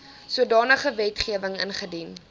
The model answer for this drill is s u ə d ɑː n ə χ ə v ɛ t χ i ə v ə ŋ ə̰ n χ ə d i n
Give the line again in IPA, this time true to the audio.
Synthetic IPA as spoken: s u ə d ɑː n ə χ ə v ɛ t χ i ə v ə ŋ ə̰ n χ ə d i n